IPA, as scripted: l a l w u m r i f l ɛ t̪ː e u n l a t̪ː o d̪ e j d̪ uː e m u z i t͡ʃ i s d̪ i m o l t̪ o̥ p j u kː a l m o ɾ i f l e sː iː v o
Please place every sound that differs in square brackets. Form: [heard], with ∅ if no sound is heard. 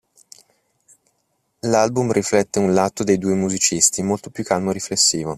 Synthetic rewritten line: l a l [b] u m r i f l ɛ t̪ː e u n l a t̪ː o d̪ e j d̪ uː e m u z i t͡ʃ i s [t̪] i m o l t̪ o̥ p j u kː a l m o ɾ i f l e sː iː v o